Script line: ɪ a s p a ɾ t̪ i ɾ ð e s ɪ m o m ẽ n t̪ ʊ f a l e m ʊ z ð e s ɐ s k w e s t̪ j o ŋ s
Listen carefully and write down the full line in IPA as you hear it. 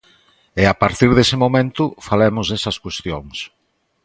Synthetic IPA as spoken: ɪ a p a ɾ t̪ i ɾ ð e s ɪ m o m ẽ n t̪ ʊ f a l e m ʊ z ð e s ɐ s k w e s t̪ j o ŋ s